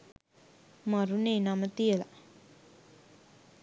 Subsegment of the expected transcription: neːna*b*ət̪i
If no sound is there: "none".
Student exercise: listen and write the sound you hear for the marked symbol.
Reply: m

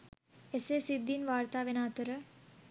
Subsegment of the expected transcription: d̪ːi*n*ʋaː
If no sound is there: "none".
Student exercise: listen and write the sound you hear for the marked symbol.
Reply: n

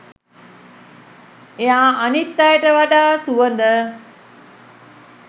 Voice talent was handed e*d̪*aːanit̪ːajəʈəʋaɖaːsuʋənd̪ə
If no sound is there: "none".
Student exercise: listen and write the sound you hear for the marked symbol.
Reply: none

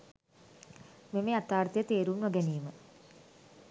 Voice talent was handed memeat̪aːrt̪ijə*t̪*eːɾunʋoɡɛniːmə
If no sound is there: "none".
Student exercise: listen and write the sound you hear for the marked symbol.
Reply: t̪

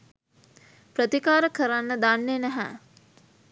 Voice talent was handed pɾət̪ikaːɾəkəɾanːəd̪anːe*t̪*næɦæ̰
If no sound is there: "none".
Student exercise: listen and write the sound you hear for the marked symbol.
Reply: none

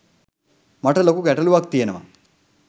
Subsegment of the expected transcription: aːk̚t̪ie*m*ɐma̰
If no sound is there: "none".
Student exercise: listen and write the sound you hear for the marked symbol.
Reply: n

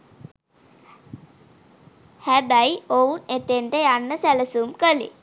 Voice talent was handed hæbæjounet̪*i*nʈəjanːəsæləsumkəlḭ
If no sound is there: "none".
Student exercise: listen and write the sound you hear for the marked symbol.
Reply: e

